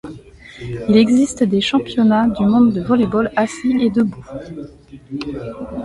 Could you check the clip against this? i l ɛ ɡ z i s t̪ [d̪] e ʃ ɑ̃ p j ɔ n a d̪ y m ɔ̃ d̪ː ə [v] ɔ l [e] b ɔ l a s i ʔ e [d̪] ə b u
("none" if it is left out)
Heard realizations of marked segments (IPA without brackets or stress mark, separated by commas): d̪, v, e, d̪